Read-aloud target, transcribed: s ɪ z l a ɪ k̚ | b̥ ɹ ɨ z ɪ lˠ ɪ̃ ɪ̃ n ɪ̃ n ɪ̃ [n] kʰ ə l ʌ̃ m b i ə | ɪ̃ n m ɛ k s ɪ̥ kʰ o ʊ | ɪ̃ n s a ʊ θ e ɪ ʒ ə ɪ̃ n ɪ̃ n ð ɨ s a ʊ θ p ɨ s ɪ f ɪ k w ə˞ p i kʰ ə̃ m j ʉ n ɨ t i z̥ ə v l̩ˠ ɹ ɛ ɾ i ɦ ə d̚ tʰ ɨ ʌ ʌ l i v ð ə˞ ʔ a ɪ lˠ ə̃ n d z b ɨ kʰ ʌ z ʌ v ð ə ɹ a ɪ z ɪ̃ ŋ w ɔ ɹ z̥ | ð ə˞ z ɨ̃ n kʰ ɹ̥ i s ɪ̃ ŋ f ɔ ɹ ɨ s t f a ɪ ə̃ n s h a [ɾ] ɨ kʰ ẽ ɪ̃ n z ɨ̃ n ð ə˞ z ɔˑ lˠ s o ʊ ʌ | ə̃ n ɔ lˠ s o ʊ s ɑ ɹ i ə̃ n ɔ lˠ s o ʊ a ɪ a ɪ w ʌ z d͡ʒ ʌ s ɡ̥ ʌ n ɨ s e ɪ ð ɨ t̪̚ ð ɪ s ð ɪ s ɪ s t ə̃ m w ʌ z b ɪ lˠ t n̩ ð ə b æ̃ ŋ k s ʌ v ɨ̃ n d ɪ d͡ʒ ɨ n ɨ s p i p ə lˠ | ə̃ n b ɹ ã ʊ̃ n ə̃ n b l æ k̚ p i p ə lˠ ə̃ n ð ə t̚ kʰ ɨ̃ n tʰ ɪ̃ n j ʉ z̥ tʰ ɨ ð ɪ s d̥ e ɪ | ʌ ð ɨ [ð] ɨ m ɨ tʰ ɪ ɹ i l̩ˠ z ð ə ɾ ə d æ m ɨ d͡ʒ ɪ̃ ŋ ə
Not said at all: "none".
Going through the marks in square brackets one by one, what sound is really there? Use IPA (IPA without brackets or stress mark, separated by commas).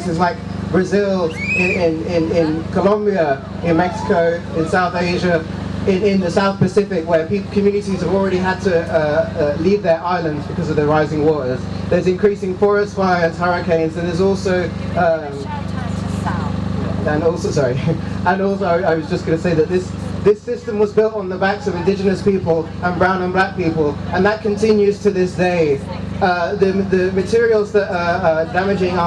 n, ɹ, ð